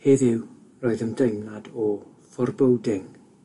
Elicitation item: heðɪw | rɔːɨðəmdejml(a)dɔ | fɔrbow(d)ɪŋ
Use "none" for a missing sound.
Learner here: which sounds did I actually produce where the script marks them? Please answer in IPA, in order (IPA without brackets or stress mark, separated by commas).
a, d